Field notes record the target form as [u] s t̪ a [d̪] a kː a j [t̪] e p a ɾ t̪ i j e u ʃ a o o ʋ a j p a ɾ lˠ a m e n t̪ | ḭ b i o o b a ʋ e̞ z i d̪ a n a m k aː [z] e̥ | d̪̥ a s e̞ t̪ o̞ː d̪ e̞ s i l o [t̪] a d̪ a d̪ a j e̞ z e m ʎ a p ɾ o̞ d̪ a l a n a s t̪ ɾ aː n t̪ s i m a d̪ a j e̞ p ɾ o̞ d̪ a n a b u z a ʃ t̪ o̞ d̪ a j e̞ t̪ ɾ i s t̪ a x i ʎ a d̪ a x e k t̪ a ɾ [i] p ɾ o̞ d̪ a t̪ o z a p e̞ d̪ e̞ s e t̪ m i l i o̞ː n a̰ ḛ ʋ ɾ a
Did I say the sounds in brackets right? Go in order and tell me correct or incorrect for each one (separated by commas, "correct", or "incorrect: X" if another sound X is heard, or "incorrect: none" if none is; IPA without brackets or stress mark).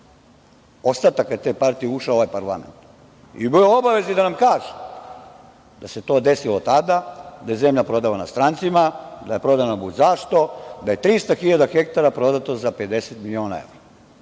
incorrect: o, incorrect: t̪, correct, incorrect: ʒ, correct, incorrect: a